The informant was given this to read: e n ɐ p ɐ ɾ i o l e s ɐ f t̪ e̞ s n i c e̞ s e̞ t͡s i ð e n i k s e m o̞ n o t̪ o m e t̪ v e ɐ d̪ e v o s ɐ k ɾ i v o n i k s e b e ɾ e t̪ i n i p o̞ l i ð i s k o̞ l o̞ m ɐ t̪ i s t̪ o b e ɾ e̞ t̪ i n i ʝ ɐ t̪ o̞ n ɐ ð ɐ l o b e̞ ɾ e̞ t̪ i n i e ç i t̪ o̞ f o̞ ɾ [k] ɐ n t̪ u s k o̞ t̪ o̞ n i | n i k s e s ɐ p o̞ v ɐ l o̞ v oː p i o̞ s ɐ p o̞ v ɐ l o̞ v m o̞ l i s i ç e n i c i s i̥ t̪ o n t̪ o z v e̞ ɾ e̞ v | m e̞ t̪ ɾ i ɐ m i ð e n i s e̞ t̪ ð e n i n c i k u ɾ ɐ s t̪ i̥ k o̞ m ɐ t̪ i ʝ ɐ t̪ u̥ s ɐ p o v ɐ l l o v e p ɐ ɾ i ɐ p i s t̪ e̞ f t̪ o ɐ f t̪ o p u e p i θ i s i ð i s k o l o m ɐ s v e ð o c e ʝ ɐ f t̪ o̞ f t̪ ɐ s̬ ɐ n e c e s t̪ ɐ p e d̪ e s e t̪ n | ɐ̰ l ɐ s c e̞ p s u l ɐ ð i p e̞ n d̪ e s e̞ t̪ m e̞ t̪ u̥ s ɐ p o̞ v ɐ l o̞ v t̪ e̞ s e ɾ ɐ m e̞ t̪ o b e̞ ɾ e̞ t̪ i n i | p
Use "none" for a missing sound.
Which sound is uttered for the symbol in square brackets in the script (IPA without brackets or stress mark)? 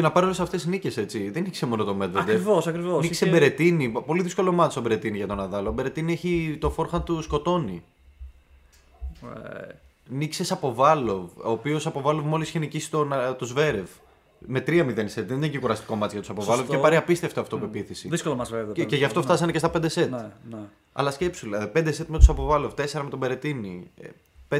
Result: x